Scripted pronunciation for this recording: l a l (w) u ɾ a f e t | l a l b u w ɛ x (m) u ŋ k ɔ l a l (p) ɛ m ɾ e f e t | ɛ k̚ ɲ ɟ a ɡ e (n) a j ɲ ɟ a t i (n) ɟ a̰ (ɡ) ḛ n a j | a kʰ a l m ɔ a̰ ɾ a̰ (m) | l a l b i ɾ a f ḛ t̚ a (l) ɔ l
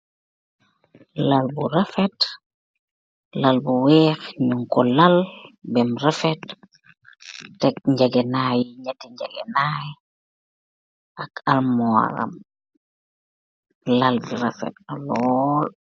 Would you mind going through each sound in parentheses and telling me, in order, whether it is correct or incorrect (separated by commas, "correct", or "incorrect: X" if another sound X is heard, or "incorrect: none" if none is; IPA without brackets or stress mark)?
incorrect: b, incorrect: ɲ, incorrect: b, correct, incorrect: ɲ, correct, correct, correct